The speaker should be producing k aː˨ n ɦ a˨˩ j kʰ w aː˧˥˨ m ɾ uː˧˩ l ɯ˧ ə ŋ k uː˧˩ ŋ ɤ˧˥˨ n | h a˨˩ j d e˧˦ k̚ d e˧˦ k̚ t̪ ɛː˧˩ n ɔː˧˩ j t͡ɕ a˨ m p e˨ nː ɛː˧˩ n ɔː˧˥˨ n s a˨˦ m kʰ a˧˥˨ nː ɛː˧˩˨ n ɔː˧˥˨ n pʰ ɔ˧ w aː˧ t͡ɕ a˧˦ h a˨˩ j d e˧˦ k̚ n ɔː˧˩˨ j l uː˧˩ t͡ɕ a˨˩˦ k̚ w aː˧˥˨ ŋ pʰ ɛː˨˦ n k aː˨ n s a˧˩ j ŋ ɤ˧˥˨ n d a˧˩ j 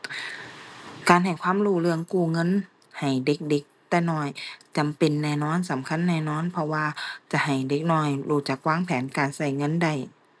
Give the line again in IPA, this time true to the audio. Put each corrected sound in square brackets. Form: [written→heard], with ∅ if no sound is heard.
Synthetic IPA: k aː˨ n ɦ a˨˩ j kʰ w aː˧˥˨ m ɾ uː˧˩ l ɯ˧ ə ŋ k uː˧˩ ŋ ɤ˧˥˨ n | h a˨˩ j d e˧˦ k̚ d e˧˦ k̚ t̪ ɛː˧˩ n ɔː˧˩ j t͡ɕ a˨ m p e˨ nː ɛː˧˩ n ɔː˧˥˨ n s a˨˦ m kʰ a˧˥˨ nː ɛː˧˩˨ n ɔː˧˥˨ n pʰ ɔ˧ w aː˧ t͡ɕ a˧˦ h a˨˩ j d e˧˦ k̚ n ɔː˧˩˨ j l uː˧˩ t͡ɕ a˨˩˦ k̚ w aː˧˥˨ ŋ pʰ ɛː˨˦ n k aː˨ n s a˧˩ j ŋ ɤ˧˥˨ n d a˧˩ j